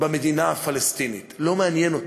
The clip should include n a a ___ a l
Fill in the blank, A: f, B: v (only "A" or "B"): A